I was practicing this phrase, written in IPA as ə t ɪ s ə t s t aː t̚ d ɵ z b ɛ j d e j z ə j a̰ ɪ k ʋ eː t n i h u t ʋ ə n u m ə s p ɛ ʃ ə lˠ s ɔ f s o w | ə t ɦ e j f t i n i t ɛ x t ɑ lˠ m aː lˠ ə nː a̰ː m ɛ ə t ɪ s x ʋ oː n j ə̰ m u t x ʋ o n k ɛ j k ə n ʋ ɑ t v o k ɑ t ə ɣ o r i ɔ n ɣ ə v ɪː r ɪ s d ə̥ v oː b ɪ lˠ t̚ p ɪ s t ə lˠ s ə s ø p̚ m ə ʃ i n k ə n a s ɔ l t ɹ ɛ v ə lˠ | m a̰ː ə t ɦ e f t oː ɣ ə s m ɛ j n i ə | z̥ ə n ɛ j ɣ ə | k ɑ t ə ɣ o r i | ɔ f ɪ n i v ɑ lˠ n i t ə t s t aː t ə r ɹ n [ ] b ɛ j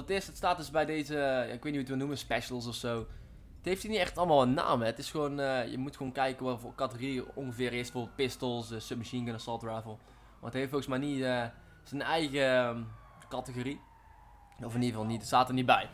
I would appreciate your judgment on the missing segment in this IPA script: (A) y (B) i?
B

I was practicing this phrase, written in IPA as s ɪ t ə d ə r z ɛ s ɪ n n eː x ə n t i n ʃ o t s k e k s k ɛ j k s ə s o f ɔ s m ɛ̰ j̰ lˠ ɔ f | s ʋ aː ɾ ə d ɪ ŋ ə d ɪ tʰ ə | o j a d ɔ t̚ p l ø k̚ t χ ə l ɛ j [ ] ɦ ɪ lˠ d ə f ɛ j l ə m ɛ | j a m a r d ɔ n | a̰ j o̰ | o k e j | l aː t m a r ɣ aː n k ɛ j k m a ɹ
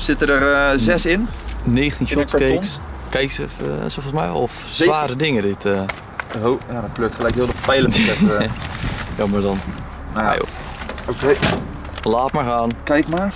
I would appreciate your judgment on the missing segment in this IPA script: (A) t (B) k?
B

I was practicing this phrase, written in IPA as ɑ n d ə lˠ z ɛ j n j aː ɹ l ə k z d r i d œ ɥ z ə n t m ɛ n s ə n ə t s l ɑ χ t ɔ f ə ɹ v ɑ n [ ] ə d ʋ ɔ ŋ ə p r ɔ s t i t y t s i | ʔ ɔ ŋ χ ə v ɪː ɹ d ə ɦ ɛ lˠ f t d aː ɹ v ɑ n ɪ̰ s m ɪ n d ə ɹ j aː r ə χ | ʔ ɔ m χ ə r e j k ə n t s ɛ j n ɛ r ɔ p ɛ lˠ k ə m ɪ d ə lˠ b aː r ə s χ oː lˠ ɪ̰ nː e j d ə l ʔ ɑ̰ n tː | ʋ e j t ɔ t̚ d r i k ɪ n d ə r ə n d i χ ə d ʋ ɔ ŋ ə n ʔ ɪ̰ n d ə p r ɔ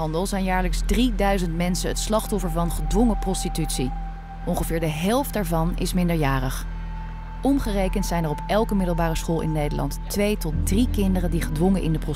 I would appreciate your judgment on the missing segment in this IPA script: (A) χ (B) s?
A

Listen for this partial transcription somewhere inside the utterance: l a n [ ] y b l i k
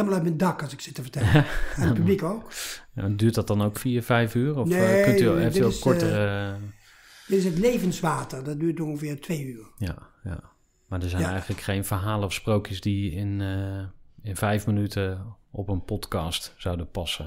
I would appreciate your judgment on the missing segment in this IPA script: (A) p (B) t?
A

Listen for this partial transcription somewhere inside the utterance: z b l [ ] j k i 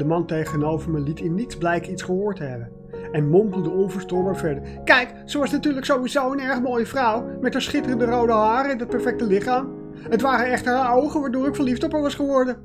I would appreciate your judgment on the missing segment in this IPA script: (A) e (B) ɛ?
B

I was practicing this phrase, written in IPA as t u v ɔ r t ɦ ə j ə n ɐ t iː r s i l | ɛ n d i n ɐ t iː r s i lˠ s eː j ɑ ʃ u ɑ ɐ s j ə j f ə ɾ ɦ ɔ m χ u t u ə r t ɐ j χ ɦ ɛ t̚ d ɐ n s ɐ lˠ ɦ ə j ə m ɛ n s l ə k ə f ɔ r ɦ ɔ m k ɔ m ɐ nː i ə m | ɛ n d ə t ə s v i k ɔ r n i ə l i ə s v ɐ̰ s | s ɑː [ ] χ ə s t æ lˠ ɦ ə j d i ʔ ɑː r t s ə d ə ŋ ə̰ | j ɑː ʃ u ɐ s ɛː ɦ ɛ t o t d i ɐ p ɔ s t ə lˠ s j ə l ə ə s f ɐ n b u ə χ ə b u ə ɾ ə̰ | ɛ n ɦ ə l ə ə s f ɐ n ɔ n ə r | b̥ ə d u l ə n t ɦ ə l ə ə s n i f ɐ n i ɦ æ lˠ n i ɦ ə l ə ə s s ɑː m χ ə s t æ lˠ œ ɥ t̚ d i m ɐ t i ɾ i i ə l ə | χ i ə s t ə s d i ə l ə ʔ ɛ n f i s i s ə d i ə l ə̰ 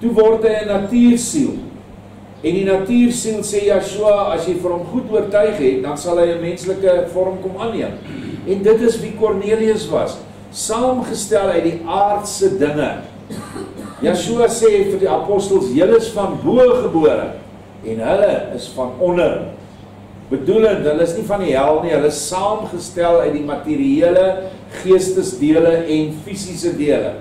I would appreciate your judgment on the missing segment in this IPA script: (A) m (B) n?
A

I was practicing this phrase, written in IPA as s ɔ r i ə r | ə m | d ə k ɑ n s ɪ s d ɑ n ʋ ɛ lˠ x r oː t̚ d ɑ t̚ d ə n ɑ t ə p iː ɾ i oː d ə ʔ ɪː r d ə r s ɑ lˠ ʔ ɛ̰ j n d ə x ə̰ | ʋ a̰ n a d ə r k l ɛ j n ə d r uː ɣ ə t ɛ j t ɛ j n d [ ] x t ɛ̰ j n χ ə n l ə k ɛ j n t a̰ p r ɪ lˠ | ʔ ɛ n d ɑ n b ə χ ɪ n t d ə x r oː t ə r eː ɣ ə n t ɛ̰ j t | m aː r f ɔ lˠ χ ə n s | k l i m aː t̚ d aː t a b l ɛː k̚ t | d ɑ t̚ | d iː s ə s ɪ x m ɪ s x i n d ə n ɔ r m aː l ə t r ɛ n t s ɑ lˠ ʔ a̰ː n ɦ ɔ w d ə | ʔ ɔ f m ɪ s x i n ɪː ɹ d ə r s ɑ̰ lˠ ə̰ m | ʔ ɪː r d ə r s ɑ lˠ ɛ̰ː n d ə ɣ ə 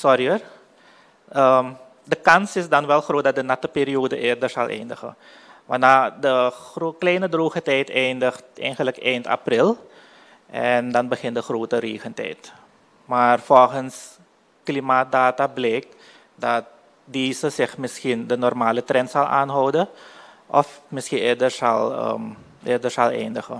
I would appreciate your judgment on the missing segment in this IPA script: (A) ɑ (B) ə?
B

